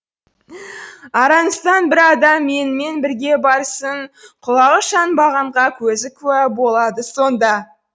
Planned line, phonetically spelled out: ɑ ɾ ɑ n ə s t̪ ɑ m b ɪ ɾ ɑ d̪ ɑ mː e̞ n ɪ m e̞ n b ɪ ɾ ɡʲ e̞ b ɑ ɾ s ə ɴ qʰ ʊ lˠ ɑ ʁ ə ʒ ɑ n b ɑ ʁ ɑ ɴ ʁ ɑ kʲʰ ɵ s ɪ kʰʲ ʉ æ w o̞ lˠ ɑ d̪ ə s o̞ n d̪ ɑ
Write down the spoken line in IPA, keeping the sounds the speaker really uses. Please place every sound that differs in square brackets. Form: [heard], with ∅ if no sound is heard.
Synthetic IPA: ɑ ɾ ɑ n ə s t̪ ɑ [n] b ɪ ɾ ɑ d̪ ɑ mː e̞ n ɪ m e̞ n b ɪ ɾ ɡʲ e̞ b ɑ ɾ s ə ɴ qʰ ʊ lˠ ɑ ʁ ə [ʃ] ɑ n b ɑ ʁ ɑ ɴ ʁ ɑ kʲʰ ɵ [z] ɪ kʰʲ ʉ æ [b] o̞ lˠ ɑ d̪ ə s o̞ n d̪ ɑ